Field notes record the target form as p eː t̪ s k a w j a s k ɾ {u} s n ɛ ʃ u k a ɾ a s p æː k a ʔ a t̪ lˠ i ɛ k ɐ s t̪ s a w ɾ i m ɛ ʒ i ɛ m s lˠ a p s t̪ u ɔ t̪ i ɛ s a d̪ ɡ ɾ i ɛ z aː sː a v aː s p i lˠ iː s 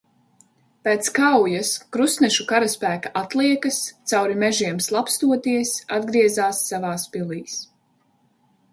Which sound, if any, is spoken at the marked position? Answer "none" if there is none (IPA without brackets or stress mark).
u